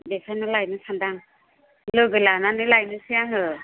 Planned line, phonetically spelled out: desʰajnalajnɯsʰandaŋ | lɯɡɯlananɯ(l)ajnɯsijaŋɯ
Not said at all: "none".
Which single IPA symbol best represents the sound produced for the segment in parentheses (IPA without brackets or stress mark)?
l